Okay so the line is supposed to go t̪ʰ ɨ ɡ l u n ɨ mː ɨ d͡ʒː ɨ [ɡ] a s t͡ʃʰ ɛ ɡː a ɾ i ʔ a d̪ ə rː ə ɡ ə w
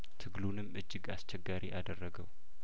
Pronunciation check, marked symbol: correct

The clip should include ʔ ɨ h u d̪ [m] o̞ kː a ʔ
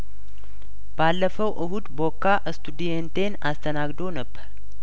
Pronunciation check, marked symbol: incorrect: b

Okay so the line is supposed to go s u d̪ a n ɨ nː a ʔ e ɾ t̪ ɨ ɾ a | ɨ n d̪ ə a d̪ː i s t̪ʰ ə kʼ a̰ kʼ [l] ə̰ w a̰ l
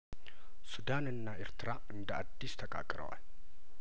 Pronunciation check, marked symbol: incorrect: ɾ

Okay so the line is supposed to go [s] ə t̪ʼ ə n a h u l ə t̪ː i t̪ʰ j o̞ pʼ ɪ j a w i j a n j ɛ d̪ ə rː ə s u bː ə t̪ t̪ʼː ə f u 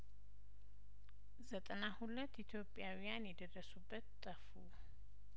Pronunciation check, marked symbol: incorrect: z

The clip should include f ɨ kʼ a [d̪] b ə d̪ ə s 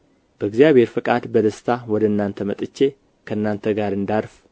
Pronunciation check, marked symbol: correct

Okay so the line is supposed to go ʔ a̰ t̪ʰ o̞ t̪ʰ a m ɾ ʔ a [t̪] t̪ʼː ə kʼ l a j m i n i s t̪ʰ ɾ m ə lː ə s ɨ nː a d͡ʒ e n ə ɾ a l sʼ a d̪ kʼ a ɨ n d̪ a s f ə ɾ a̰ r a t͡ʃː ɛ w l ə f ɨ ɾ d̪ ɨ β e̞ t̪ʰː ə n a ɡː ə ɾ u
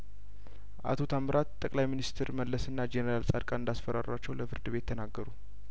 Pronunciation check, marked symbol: correct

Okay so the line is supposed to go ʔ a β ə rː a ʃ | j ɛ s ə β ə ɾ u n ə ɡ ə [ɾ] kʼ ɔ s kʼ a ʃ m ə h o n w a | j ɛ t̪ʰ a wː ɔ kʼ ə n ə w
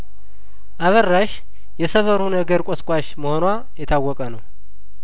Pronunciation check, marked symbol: correct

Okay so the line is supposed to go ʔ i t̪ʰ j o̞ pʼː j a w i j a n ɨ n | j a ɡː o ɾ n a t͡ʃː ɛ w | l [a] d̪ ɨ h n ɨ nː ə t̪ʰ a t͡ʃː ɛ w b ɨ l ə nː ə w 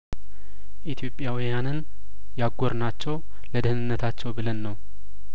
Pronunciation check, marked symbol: incorrect: ə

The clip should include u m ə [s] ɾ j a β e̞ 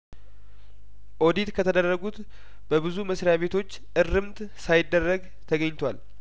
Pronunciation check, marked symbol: correct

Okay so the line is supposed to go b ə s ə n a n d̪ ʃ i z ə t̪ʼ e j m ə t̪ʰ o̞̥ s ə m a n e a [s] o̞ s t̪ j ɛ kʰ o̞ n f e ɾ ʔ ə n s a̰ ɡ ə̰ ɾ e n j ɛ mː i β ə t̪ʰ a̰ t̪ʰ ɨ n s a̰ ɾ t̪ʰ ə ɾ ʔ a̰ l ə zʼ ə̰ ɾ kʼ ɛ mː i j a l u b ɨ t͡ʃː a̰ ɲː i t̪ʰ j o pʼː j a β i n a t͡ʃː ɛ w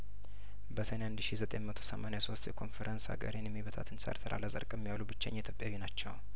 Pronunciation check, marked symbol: correct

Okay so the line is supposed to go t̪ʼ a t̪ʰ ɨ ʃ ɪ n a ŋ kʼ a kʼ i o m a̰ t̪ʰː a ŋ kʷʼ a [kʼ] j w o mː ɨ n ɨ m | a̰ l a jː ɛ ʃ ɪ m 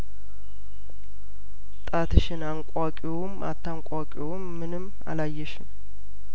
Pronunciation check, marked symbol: correct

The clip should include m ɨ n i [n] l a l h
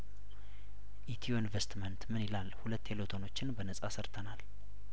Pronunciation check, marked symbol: incorrect: none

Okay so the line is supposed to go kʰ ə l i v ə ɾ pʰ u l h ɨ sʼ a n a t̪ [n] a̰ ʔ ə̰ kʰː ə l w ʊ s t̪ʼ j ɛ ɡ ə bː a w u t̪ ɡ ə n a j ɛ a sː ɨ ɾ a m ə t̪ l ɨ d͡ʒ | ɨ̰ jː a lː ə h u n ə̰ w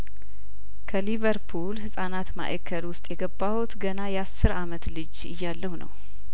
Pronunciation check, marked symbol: incorrect: m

